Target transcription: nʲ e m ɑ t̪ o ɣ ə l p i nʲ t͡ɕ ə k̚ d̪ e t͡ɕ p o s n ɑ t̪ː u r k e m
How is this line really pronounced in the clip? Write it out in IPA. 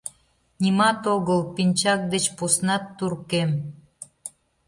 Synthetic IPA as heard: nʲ i m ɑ t̪ o ɣ ə l p i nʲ t͡ɕ ɑ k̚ d̪ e t͡ɕ p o s n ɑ t̪ː u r k e m